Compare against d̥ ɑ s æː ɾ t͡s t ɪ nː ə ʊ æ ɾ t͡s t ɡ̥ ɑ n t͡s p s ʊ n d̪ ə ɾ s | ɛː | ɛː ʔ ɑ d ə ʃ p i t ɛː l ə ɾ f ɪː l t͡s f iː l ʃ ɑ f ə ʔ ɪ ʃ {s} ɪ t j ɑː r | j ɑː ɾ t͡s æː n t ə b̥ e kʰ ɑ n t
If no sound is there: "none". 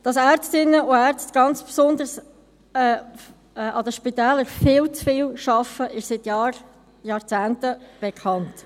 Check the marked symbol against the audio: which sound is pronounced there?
s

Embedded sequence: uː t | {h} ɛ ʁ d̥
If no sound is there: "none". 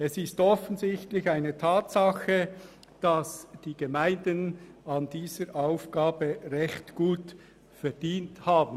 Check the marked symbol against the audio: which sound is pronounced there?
f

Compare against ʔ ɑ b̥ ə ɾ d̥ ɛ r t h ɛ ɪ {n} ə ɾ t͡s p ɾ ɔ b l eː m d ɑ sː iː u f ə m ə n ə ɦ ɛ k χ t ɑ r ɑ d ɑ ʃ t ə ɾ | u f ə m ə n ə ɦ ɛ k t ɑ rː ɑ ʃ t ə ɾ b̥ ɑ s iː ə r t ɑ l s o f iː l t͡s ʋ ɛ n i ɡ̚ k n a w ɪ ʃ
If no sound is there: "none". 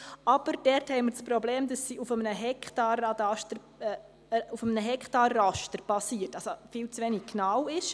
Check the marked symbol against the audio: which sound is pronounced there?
m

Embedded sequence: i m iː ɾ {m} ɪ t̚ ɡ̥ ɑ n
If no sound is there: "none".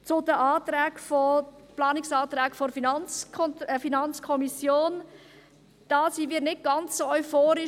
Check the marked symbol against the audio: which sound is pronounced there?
n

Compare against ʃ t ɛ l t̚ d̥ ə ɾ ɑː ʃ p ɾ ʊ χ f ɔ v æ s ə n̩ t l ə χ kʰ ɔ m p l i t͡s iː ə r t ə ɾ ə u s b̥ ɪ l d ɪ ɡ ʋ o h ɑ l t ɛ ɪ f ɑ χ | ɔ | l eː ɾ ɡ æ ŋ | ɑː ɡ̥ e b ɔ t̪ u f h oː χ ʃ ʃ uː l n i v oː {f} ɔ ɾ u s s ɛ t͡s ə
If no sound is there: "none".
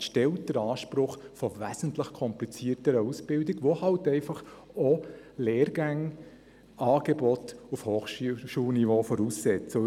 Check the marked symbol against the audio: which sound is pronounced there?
f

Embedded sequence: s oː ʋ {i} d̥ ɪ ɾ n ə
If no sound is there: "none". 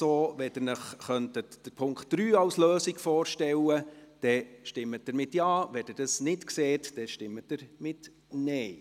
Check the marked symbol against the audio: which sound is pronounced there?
ɛ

